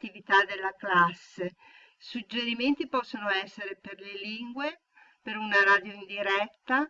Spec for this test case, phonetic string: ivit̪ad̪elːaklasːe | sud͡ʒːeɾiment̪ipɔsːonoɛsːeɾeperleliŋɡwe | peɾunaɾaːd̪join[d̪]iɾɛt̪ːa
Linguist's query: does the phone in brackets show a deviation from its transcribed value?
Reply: no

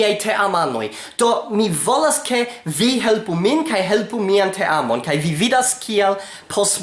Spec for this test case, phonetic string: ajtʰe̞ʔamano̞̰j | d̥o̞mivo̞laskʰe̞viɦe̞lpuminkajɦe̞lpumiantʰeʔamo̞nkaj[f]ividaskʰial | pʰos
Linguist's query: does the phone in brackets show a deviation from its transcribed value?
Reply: yes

